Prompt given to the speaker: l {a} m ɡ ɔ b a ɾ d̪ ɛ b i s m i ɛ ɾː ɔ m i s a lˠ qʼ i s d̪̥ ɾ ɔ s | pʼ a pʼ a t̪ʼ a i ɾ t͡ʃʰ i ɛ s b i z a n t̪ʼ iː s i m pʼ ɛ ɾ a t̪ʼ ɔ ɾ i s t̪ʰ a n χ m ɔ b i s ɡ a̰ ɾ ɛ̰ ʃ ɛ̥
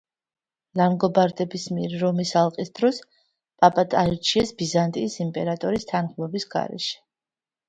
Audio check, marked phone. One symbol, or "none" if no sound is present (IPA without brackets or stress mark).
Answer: a